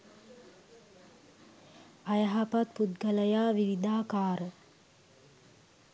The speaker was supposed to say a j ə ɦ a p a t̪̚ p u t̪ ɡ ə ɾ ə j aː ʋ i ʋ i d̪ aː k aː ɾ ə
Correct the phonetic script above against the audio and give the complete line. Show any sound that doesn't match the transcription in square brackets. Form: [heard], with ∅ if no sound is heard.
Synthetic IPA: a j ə ɦ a p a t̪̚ p u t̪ ɡ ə [l] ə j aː ʋ i ʋ i d̪ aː k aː ɾ ə